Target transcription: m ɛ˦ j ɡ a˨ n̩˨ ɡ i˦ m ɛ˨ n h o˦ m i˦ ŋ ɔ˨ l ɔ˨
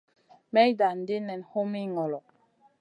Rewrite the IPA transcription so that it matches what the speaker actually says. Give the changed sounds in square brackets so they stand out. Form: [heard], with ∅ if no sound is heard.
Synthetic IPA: m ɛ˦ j [d] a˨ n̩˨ [d] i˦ [n] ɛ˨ n h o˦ m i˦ ŋ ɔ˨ l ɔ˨